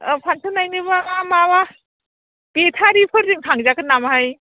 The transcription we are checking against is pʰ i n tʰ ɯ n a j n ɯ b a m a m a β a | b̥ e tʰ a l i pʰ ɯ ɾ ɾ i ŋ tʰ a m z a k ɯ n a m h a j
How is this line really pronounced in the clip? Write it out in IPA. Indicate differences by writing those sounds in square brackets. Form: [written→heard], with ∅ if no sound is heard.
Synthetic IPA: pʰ [i→a] n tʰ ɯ n a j n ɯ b a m a m a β a | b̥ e tʰ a [l→ɾ] i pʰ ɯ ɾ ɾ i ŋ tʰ a [m→ŋ] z a k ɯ n a m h a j

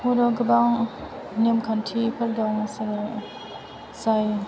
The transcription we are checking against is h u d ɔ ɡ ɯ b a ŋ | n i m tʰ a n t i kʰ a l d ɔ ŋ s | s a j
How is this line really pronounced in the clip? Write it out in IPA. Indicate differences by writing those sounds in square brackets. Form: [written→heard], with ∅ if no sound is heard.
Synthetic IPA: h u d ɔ ɡ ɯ b a ŋ | n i m [tʰ→kʰ] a n [t→tʰ] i [kʰ→pʰ] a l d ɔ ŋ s | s a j

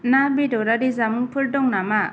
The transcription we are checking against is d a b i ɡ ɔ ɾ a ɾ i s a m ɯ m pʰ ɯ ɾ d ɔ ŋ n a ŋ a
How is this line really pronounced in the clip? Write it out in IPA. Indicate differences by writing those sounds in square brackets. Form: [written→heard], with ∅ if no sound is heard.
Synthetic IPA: [d→n] a b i [ɡ→d] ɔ ɾ a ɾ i [s→z] a m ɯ [m→ŋ] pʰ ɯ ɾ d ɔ ŋ n a [ŋ→m] a

